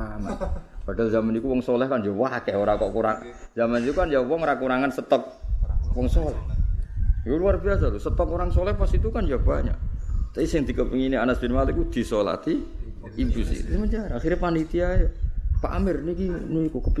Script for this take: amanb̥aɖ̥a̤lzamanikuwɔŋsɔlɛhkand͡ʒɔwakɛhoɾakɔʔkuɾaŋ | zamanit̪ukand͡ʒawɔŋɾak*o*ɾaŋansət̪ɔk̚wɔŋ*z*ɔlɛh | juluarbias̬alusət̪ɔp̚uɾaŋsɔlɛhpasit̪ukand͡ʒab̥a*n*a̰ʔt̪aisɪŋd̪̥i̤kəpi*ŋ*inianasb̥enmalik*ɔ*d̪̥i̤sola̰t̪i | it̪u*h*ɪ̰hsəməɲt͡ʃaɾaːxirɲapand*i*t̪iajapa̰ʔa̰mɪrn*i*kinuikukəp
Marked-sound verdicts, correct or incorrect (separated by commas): incorrect, incorrect, incorrect, correct, incorrect, incorrect, correct, correct